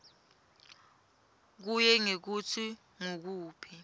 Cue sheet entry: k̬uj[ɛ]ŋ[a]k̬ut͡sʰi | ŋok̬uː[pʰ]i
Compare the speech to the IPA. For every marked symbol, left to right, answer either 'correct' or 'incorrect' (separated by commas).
correct, incorrect, correct